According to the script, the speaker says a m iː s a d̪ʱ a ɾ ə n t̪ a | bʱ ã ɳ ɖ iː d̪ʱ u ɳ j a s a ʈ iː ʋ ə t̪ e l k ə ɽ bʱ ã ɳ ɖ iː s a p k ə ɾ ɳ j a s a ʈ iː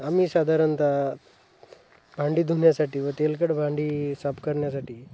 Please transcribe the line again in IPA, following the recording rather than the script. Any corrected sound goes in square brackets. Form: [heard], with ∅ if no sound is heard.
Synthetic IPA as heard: a m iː s a d̪ʱ a ɾ ə n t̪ a | bʱ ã ɳ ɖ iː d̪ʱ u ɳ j a s a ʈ iː ʋ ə t̪ e l k ə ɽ bʱ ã ɳ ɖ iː s a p k ə ɾ ɳ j a s a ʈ iː